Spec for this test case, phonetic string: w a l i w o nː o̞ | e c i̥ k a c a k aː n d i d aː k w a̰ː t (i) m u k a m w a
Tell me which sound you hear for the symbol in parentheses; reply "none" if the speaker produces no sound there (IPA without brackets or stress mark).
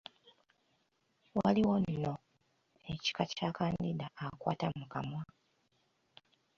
a